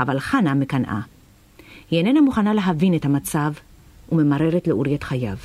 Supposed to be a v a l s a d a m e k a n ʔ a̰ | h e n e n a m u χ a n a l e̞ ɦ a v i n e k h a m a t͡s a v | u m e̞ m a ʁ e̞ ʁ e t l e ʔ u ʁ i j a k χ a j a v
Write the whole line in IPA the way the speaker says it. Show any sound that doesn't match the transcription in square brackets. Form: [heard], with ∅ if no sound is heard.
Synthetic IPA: a v a l [χ] a [n] a m e k a n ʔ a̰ | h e n e n a m u χ a n a l e̞ ɦ a v i n e [t] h a m a t͡s a v | u m e̞ m a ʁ e̞ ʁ e t l e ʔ u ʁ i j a [t] χ a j a v